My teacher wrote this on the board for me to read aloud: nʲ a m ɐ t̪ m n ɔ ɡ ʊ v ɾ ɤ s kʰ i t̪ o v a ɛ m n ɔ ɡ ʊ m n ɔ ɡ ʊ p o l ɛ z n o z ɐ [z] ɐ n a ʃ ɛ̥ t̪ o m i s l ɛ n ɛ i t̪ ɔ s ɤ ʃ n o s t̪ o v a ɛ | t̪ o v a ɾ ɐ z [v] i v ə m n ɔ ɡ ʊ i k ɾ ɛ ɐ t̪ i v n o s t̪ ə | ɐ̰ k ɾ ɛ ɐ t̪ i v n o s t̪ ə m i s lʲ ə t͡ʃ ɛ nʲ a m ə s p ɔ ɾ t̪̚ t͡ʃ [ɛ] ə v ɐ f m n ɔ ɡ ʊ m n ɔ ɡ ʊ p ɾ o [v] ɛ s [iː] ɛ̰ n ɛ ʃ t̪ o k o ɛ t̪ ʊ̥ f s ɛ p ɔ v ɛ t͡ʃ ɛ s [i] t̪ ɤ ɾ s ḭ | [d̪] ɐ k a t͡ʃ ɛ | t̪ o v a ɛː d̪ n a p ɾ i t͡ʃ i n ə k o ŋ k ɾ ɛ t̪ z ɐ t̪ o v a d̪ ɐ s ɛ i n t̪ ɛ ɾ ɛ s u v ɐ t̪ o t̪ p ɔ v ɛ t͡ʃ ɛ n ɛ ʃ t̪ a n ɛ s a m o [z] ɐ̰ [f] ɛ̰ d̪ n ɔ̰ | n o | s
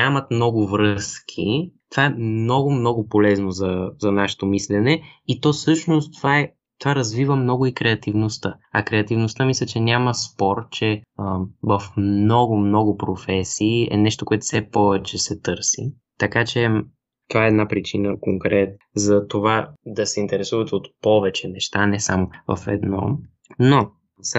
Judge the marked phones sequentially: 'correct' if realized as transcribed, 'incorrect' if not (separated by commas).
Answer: correct, correct, correct, incorrect, correct, incorrect, incorrect, incorrect, correct